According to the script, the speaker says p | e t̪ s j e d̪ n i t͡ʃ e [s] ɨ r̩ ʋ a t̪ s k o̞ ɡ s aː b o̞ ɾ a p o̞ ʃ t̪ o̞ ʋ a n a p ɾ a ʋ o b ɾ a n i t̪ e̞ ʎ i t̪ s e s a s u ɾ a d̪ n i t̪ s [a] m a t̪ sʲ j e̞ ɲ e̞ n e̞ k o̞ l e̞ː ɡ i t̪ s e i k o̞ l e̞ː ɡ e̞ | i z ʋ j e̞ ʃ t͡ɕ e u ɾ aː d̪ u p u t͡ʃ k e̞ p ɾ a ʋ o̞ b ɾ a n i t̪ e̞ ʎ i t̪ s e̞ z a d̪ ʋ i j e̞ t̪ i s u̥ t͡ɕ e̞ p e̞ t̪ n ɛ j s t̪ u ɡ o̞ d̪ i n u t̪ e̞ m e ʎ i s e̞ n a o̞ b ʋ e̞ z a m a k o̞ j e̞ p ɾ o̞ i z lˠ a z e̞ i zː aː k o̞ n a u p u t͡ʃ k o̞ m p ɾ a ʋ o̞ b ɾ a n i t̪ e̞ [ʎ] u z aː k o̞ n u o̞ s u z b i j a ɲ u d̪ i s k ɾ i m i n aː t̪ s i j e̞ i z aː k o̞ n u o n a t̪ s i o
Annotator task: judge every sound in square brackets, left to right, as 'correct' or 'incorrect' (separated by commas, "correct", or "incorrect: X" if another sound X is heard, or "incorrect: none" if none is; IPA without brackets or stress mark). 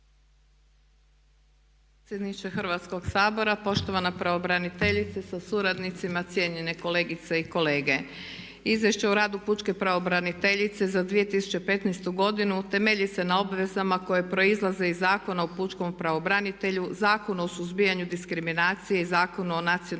incorrect: x, incorrect: i, correct